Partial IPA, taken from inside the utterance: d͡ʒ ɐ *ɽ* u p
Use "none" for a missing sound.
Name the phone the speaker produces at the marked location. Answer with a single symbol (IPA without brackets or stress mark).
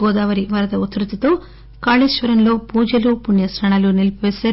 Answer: l